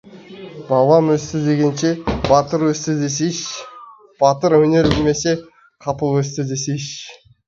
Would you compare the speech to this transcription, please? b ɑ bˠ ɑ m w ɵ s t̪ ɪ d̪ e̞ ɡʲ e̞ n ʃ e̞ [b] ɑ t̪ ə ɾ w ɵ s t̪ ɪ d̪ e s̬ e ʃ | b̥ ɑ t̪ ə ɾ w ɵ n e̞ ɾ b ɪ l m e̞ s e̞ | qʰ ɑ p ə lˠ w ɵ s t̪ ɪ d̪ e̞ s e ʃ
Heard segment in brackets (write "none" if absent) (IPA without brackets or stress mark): b